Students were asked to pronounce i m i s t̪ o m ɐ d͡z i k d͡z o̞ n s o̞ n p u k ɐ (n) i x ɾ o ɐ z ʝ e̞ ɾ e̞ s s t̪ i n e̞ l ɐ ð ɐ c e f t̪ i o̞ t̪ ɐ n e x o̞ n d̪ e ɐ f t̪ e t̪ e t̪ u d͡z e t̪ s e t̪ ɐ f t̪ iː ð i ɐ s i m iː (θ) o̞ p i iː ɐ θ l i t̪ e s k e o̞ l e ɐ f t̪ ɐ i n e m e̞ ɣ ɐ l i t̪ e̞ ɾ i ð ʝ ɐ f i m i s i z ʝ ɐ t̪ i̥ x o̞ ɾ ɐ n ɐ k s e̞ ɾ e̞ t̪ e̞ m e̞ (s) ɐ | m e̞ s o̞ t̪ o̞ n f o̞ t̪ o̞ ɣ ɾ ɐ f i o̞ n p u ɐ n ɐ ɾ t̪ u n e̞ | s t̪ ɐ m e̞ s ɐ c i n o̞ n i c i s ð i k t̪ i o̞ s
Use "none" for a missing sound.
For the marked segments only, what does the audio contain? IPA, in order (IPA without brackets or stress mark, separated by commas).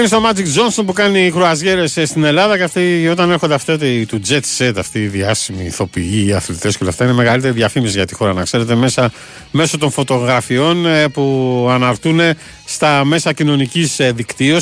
n, θ, s